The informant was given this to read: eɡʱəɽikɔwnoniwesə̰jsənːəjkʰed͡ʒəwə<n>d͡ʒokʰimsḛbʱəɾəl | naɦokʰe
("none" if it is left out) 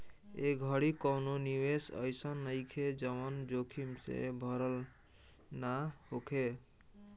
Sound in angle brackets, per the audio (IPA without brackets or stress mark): n